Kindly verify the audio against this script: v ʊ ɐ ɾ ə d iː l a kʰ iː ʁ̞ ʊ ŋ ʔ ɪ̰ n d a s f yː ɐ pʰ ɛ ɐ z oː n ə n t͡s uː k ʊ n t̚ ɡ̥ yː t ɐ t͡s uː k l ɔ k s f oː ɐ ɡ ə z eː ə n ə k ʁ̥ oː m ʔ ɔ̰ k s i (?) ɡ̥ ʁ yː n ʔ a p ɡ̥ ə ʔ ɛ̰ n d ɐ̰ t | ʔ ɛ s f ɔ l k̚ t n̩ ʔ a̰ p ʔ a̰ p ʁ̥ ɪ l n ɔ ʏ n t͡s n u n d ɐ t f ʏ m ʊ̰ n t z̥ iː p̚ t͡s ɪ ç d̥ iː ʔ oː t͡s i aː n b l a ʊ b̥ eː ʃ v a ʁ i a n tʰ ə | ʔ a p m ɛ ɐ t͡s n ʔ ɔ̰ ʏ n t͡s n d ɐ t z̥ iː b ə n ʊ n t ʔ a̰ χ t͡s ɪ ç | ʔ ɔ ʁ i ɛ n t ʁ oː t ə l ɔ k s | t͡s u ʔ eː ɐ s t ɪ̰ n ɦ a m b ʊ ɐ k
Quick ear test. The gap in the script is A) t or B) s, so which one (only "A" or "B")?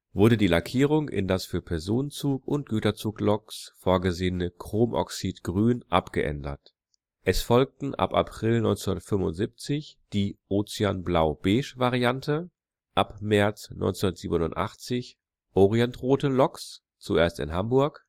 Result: A